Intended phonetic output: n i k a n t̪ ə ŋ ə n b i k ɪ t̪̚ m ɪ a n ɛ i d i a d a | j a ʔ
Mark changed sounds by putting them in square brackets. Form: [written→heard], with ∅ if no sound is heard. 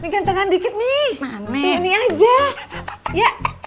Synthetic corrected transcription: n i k a n t̪ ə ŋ [ə→a] n [b→d] i k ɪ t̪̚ [m→n] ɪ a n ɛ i [d→n] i a [d→d͡ʒ] a | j a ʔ